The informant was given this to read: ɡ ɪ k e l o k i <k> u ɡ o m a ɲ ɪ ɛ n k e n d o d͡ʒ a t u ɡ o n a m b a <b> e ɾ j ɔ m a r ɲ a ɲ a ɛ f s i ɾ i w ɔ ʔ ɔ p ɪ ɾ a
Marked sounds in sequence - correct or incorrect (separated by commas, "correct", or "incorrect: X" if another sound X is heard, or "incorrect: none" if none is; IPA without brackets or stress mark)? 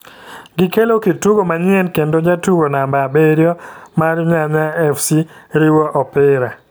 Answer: incorrect: t, correct